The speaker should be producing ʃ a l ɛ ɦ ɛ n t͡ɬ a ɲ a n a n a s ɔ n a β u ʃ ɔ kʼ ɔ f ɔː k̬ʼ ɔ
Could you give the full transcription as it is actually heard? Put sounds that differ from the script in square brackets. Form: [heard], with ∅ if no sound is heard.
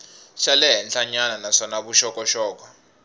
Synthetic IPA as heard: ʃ a l ɛ ɦ ɛ n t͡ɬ a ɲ a n a n a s ɔ n a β u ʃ ɔ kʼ ɔ [ʃ] ɔː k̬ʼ ɔ